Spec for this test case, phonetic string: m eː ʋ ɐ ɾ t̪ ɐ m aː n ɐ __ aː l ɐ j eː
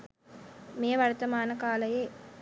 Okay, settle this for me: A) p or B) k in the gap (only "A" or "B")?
B